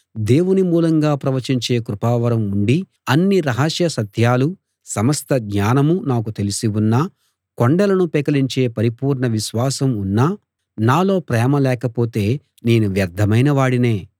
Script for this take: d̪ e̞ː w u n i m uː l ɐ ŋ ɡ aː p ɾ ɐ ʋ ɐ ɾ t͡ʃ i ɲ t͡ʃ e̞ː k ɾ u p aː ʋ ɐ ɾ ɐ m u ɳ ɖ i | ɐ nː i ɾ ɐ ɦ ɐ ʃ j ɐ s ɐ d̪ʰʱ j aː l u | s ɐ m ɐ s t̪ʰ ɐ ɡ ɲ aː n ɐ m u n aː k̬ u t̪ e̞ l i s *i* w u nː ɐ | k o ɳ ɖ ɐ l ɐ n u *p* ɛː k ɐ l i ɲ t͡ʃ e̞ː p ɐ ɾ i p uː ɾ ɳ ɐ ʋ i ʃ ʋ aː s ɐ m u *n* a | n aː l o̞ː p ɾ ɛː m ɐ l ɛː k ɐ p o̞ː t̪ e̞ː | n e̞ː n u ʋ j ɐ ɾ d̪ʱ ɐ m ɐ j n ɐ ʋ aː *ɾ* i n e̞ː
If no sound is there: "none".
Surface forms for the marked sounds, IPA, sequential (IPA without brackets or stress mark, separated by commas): i, p, nː, ɽ